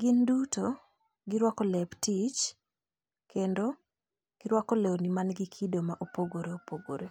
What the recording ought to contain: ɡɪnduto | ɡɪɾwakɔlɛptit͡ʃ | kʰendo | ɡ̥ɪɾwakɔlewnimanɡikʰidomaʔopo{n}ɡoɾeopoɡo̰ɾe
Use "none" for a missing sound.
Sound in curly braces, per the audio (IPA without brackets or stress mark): none